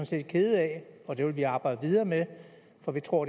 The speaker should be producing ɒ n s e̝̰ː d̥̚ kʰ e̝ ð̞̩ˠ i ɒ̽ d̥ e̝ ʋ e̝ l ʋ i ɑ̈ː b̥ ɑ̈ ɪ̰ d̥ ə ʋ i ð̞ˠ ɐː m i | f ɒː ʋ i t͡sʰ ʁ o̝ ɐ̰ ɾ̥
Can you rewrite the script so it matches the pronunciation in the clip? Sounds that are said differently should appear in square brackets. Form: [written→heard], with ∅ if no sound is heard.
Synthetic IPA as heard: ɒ n s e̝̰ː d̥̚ kʰ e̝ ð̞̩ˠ [i→ɛ] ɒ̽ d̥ e̝ ʋ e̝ l ʋ i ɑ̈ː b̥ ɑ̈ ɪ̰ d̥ ə ʋ i ð̞ˠ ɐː m [i→e] | f [ɒː→ɒ] ʋ i t͡sʰ ʁ o̝ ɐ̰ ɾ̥